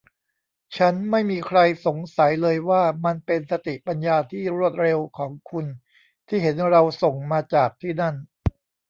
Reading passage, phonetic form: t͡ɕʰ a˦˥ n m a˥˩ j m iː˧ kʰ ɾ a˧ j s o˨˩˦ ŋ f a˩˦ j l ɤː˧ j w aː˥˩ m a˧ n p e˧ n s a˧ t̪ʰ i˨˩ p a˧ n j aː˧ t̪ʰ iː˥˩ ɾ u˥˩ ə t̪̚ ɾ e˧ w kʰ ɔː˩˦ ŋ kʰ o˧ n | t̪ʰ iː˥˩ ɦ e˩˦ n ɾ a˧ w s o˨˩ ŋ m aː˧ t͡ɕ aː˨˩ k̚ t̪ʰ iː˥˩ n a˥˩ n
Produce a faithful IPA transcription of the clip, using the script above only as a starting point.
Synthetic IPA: t͡ɕʰ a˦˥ n m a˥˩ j m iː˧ kʰ ɾ a˧ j s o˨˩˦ ŋ s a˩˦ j l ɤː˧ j w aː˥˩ m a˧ n p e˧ n s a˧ t̪ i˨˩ p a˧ n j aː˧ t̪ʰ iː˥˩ ɾ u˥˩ ə t̪̚ ɾ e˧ w kʰ ɔː˩˦ ŋ kʰ u˧ n | t̪ʰ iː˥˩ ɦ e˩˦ n ɾ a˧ w s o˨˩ ŋ m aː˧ t͡ɕ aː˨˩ k̚ t̪ʰ iː˥˩ n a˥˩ n

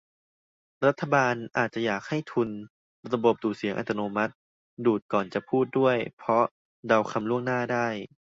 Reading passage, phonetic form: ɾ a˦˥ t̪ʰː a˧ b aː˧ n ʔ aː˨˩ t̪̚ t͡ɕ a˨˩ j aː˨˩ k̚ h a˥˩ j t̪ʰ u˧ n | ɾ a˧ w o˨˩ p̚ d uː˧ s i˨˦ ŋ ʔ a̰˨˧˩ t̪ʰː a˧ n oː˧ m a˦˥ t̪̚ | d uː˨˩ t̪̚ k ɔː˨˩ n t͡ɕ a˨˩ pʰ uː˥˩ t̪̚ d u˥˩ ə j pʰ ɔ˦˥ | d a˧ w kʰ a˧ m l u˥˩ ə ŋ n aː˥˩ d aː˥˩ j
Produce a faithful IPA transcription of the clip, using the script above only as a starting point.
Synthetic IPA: ɾ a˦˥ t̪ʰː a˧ b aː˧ n ʔ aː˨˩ t̪̚ t͡ɕ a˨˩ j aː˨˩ k̚ h a˥˩ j t̪ʰ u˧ n | ɾ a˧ b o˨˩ p̚ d uː˨˩ s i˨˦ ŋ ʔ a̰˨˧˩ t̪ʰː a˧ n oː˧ m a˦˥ t̪̚ | d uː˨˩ t̪̚ k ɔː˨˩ n t͡ɕ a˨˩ pʰ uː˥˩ t̪̚ d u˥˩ ə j pʰ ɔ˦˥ | d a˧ w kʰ a˧ m l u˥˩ ə ŋ n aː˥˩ d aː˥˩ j

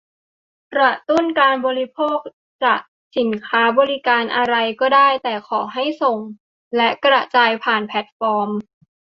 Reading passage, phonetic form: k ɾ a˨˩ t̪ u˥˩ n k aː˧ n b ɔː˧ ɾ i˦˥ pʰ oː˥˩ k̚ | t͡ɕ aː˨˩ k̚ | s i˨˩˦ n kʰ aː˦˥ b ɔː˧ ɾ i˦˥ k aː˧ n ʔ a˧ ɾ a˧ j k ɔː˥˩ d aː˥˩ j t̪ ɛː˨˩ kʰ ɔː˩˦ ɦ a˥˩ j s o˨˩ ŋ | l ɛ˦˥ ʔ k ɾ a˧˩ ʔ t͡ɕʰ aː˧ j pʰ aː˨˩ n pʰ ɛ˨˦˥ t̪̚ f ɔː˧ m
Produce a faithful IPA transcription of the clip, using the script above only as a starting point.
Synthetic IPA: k ɾ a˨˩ t̪ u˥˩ n k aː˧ n b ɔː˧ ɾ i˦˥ pʰ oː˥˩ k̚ | t͡ɕ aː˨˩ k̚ | s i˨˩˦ n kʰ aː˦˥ b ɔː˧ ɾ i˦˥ k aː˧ n ʔ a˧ ɾ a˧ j k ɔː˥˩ d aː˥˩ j t̪ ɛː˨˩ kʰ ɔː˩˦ ɦ a˥˩ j s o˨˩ ŋ | l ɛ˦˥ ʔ k ɾ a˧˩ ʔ t͡ɕ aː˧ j pʰ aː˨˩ n pʰ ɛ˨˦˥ t̪̚ f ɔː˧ m

